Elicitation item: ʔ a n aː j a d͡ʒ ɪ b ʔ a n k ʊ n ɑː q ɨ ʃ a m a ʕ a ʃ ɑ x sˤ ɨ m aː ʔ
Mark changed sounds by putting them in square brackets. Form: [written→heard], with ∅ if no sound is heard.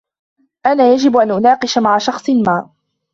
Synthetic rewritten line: ʔ a n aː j a d͡ʒ ɪ b ʔ a n [k→ʔ] ʊ n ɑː q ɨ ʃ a m a ʕ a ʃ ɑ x sˤ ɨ m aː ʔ